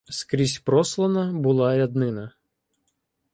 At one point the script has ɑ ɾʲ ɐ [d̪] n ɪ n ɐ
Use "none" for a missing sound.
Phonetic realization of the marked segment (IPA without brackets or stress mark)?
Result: d̪